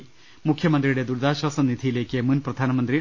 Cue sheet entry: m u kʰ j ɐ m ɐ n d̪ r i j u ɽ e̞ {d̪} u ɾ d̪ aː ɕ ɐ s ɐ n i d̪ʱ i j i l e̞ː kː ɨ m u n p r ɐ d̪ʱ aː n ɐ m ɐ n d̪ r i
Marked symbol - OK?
yes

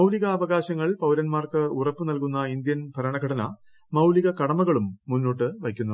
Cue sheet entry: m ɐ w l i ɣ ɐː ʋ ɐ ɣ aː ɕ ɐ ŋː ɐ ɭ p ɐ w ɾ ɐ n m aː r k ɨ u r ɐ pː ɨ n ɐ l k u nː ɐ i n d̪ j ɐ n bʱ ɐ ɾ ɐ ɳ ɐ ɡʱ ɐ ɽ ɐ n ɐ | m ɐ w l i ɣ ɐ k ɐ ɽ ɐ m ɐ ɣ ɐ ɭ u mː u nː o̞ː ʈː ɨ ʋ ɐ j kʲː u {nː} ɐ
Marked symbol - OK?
yes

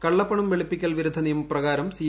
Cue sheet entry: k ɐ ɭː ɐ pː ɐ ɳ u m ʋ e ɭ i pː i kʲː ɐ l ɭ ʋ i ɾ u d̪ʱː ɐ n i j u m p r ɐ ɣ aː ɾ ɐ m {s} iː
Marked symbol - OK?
yes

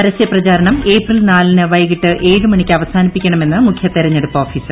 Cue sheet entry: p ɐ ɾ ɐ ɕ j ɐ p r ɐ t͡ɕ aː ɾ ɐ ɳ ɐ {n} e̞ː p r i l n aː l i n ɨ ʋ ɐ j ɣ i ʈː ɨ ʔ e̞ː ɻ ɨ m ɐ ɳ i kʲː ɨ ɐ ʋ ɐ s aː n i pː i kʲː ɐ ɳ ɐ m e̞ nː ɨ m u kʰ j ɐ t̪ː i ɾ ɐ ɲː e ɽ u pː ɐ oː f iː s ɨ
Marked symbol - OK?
no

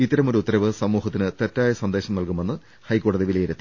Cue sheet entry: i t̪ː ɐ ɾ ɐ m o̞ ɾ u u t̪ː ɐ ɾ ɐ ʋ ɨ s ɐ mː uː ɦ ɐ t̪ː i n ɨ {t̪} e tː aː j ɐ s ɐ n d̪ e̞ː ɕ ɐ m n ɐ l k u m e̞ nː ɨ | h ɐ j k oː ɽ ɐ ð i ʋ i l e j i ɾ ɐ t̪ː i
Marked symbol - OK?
yes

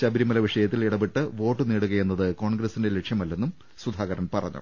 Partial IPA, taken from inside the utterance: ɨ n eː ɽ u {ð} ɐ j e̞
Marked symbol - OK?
no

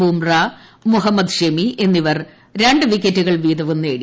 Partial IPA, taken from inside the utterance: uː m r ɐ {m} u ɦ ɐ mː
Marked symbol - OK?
yes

